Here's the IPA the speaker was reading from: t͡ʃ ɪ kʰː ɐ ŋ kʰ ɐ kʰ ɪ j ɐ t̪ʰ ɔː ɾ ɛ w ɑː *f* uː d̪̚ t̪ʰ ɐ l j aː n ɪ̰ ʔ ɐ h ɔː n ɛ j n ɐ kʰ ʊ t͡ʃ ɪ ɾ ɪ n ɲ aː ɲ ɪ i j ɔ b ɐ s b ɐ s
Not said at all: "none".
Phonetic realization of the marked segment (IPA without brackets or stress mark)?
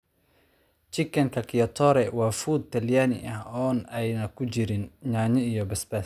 f